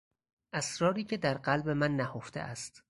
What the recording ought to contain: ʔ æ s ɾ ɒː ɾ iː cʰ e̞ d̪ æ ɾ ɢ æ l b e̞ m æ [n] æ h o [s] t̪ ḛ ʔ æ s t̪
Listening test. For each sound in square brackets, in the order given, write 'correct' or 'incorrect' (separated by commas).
incorrect, incorrect